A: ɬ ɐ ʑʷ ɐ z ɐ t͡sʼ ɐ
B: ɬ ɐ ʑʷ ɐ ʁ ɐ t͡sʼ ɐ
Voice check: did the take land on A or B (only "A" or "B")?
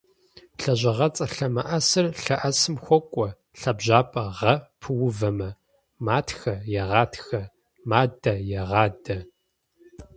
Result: B